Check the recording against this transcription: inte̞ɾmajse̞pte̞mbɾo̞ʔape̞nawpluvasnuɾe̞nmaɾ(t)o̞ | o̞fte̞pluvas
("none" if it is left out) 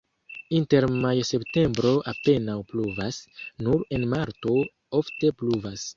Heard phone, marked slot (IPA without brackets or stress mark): t